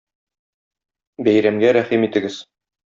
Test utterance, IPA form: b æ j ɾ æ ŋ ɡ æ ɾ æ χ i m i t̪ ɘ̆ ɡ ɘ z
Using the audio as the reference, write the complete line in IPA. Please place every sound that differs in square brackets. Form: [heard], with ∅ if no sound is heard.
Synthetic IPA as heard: b æ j ɾ æ [m] ɡ æ ɾ æ χ i m i t̪ ɘ̆ ɡ ɘ z